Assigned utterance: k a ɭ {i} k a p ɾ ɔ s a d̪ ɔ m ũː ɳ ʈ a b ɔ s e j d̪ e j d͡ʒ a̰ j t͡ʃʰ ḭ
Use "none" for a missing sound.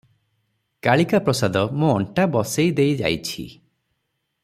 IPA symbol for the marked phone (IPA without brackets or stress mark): i